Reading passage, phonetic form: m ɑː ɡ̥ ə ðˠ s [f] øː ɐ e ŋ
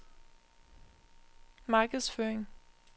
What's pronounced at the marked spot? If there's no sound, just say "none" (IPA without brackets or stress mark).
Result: f